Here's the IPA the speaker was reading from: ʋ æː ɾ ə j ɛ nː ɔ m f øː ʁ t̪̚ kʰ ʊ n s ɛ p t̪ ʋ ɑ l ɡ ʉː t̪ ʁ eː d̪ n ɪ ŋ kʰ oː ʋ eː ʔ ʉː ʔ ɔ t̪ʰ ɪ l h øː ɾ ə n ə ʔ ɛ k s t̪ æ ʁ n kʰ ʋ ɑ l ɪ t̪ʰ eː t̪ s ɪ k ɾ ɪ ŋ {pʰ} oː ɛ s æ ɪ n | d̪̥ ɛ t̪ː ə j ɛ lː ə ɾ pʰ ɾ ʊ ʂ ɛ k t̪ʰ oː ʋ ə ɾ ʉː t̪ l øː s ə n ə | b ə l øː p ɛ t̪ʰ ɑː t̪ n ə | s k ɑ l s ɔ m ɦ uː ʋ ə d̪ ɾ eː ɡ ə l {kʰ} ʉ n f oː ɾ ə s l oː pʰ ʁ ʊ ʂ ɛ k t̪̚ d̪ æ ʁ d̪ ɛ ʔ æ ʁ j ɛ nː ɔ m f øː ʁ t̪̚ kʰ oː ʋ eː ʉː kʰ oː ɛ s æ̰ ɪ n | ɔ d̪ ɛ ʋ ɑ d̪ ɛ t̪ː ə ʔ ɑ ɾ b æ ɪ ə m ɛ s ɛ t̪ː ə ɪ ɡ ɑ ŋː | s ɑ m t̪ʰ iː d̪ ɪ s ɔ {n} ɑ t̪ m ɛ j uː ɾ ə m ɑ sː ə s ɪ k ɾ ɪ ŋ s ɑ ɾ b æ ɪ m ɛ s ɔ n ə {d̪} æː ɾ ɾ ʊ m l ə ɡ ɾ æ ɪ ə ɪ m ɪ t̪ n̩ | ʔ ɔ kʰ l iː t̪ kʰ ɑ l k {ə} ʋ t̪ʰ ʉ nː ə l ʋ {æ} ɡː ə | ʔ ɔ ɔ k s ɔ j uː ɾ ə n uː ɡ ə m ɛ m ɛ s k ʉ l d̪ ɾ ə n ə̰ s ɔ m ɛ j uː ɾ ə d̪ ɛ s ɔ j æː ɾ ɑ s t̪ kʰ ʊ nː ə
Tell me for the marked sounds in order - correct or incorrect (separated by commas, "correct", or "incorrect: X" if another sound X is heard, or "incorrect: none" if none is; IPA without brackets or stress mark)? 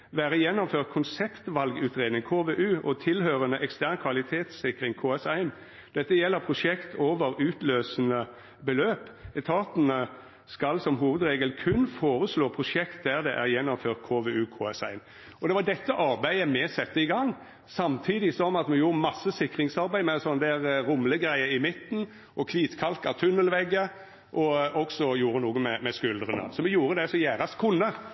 incorrect: kʰ, correct, incorrect: m, correct, incorrect: ɑ, incorrect: ɛ